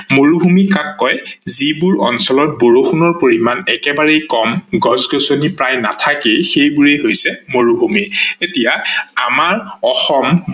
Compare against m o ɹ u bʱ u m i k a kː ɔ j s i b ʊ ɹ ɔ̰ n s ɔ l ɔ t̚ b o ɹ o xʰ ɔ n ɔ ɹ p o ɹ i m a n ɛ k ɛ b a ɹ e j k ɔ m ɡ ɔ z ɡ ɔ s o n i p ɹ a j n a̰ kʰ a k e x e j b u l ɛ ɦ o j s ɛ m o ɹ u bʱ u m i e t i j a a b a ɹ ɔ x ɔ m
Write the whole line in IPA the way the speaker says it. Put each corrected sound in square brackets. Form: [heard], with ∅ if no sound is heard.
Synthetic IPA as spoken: m o ɹ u bʱ u m i k a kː ɔ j [z] i b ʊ ɹ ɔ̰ n s ɔ l ɔ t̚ b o ɹ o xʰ [u] n ɔ ɹ p o ɹ i m a n ɛ k ɛ b a ɹ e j k ɔ m ɡ ɔ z ɡ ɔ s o n i p ɹ a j n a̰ [tʰ] a k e x e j b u [ɹ] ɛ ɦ o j s ɛ m o ɹ u bʱ u m i e t i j a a [m] a ɹ ɔ x ɔ m